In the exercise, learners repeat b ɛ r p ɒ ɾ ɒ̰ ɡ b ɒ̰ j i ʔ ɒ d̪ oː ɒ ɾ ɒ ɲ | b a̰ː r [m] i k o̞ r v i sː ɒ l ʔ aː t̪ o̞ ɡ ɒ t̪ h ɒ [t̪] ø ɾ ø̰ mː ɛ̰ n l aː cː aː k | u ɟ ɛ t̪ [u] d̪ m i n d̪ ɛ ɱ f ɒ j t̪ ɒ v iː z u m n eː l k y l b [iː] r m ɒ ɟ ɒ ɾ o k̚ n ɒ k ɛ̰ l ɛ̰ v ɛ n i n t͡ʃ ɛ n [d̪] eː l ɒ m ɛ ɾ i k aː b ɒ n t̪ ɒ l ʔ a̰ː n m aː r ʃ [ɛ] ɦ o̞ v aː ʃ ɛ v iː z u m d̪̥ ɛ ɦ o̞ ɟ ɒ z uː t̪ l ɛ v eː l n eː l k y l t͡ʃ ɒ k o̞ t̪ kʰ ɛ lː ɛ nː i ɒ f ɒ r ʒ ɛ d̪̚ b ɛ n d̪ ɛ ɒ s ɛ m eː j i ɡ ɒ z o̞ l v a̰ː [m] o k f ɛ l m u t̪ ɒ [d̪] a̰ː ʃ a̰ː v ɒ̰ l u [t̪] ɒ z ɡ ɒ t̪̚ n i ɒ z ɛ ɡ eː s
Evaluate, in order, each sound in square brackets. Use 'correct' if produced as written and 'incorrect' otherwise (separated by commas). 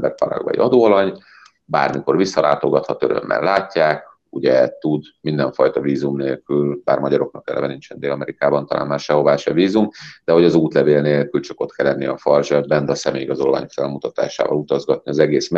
correct, correct, correct, incorrect, correct, correct, incorrect, incorrect, correct